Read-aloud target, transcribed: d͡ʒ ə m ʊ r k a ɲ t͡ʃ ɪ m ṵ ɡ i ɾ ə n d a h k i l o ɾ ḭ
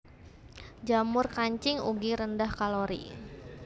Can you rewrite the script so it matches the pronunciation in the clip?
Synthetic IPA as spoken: d͡ʒ a m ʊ r k a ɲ t͡ʃ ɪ ŋ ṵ ɡ i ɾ ə n d a h k a l o ɾ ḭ